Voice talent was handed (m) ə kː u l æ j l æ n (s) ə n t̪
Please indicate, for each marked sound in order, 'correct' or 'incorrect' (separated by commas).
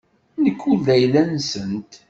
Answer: incorrect, correct